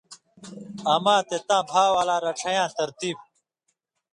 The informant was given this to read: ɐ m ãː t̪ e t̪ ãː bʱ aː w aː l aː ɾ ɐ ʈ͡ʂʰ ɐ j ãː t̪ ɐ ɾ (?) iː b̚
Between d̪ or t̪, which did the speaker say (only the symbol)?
t̪